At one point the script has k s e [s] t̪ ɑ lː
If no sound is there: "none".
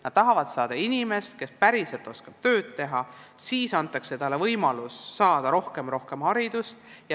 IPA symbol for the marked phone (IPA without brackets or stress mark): none